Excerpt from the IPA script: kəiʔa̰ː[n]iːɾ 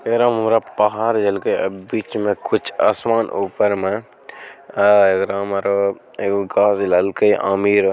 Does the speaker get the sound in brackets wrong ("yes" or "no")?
yes